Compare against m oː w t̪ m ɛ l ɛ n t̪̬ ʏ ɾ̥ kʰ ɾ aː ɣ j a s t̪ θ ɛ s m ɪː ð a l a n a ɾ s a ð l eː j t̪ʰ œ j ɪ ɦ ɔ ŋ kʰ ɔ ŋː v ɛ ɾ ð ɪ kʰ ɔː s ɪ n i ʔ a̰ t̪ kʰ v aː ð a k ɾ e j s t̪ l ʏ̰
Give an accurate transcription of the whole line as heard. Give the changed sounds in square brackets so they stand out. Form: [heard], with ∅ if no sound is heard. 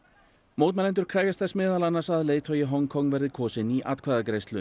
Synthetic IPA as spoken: m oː w t̪ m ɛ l ɛ n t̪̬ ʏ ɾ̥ kʰ ɾ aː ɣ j a s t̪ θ ɛ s m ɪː ð a l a n a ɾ s a ð l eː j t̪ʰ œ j ɪ ɦ ɔ ŋ kʰ ɔ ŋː v ɛ ɾ ð ɪ kʰ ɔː s ɪ n i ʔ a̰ t̪ kʰ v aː ð a k ɾ e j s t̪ l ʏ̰

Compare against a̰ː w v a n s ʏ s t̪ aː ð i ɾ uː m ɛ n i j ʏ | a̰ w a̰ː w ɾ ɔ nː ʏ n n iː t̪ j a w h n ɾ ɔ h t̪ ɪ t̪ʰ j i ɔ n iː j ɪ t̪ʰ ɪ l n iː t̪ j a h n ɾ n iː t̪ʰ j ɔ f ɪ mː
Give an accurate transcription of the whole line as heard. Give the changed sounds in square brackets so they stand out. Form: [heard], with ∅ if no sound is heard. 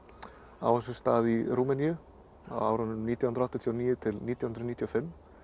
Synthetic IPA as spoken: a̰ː w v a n s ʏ s t̪ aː ð i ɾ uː m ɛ n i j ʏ | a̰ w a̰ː w ɾ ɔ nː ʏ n n iː t̪ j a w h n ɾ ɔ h t̪ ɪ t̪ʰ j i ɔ n iː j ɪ t̪ʰ ɪ l n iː t̪ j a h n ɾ n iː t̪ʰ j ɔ f ɪ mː

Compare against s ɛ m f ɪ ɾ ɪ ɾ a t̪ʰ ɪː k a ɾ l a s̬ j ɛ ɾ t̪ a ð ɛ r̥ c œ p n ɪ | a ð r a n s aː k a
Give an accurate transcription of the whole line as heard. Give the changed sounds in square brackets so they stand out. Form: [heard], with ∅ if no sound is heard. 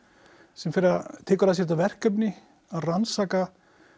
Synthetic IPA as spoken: s ɛ m f ɪ ɾ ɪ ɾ a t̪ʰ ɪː k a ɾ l a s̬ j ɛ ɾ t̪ a [v] ɛ r̥ [k] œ p n ɪ | a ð r a n s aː k a

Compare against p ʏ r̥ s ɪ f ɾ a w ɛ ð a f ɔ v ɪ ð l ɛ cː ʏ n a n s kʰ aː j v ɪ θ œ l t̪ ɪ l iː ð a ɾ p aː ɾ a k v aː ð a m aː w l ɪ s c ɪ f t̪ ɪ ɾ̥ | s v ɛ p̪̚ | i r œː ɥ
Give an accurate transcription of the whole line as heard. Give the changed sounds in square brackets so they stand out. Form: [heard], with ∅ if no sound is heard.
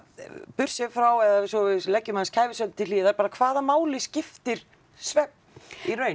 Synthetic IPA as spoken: p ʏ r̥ s ɪ f ɾ a w ɛ ð a [s] ɔ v ɪ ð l ɛ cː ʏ [m] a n s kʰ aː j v ɪ [s] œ l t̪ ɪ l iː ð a ɾ p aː ɾ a [kʰ] v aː ð a m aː w l ɪ s c ɪ f t̪ ɪ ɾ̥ | s v ɛ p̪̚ | i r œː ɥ

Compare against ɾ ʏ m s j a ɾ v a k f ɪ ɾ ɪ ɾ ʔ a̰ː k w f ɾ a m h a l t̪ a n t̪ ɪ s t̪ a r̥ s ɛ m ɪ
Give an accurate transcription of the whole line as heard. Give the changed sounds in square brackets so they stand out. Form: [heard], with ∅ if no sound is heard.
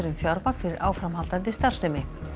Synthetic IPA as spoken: ɾ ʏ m [f] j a ɾ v a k f ɪ ɾ ɪ ɾ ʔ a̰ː [∅] w f ɾ a m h a l t̪ a n t̪ ɪ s t̪ a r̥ s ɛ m ɪ

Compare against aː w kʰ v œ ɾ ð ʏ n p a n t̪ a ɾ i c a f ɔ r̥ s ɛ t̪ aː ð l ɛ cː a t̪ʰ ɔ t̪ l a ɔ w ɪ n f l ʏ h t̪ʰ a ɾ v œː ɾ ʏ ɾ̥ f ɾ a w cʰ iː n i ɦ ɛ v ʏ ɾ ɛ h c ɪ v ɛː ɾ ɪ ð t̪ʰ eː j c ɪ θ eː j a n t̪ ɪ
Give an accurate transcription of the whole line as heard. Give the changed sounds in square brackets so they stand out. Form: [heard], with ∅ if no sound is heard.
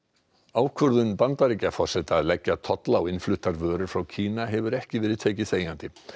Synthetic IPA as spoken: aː w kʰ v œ ɾ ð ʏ n p a n t̪ a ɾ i c a f ɔ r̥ s ɛ t̪ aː ð l ɛ cː a t̪ʰ ɔ t̪ l a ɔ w ɪ n f l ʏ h [t̪] a ɾ v œː ɾ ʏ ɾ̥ f ɾ a w cʰ iː n [a] ɦ ɛ v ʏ ɾ ɛ h c ɪ v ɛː ɾ ɪ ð t̪ʰ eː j c ɪ θ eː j a n t̪ ɪ

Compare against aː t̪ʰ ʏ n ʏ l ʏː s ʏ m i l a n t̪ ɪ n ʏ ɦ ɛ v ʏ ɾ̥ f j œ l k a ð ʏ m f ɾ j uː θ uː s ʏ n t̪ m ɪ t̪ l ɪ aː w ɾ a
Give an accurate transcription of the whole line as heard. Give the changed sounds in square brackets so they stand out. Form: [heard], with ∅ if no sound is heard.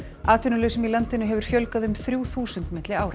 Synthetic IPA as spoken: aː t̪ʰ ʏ n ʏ l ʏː s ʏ m i l a n t̪ ɪ n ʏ ɦ ɛ v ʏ ɾ̥ f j œ l k a ð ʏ m [θ] ɾ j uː θ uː s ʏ n t̪ m ɪ t̪ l ɪ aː w ɾ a

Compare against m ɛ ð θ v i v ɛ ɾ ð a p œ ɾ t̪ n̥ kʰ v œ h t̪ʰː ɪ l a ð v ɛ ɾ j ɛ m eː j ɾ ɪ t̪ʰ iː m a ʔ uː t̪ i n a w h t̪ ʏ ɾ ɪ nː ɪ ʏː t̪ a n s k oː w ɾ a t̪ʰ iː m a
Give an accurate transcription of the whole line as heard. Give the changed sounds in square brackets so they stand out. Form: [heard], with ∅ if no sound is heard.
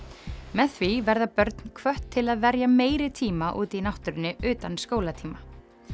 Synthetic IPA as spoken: m ɛ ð θ v i v ɛ ɾ ð a p œ ɾ t̪ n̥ kʰ v œ h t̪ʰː ɪ l a ð v ɛ ɾ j [a] m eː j ɾ ɪ t̪ʰ iː m a ʔ uː t̪ i n a w h t̪ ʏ ɾ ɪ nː ɪ ʏː t̪ a n s k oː w [l] a t̪ʰ iː m a

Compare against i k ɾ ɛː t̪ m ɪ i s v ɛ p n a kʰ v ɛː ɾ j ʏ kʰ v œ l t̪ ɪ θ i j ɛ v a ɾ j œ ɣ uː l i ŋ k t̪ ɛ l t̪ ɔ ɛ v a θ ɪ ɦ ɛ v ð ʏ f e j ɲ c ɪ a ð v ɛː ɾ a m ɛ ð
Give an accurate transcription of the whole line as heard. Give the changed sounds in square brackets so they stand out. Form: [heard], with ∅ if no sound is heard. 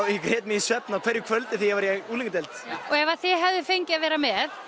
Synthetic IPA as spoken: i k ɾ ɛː t̪ m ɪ i s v ɛ p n a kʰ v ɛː ɾ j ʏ kʰ v œ l t̪ ɪ θ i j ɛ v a ɾ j [ɛ] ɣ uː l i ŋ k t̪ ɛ l t̪ ɔ ɛ v a θ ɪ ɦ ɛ v ð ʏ f e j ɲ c ɪ a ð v ɛː ɾ a m ɛ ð

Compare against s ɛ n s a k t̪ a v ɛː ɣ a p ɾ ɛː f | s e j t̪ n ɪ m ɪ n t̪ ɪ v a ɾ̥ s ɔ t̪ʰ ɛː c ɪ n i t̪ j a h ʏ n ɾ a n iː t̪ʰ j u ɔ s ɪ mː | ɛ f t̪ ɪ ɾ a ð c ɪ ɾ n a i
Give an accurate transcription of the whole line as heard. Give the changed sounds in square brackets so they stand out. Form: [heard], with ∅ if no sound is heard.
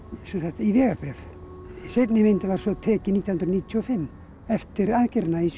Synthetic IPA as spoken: s ɛ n s a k t̪ [i] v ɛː ɣ a p ɾ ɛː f | s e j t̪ n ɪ m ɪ n t̪ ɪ v a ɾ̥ s ɔ t̪ʰ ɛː c ɪ n i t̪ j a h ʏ n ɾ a n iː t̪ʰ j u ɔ [f] ɪ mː | ɛ f t̪ ɪ ɾ a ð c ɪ ɾ n a i

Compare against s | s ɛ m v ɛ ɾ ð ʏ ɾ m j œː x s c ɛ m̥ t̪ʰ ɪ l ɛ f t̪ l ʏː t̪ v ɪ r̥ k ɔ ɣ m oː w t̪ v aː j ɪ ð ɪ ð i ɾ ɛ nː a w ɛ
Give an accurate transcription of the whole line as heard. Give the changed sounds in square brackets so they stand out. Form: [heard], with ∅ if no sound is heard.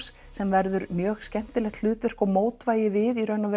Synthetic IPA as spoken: s | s ɛ m v ɛ ɾ ð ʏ ɾ m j œː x s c ɛ m̥ [t̪] ɪ l ɛ [x] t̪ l ʏː t̪ v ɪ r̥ k ɔ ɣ m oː w t̪ v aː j ɪ [v] ɪ ð i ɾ [œ] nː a [v] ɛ

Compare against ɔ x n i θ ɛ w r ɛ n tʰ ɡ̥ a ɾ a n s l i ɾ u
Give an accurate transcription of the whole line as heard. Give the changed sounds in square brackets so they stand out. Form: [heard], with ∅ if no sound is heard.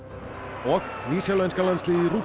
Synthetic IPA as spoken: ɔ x n i [s] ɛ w [l] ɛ n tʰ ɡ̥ a [l] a n s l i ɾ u

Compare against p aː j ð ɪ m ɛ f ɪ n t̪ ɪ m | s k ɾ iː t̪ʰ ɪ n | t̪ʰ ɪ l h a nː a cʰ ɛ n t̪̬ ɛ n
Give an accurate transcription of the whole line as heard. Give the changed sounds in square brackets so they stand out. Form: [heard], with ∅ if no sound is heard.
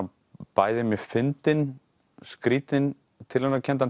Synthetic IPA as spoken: p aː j ð ɪ m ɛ f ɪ n t̪ ɪ [n] | s k ɾ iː [t̪] ɪ n | t̪ʰ ɪ l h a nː a cʰ ɛ n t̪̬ [a] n

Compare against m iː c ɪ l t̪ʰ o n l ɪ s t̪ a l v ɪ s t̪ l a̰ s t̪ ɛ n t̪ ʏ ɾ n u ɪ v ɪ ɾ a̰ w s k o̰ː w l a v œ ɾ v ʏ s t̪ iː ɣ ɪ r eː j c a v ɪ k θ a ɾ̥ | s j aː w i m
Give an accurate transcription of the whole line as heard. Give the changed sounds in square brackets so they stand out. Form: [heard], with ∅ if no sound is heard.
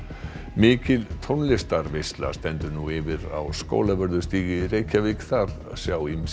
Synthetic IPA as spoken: m [ɪː] c ɪ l t̪ʰ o n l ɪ s t̪ a [ɾ] v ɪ s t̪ l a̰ s t̪ ɛ n t̪ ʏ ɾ n u ɪ v ɪ ɾ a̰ w s k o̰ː w l a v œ ɾ [ð] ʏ s t̪ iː ɣ ɪ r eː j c a v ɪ k θ a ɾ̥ | s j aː w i m

